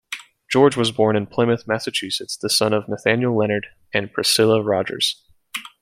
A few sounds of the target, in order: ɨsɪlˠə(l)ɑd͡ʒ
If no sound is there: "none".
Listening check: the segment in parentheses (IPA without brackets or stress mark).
ɹ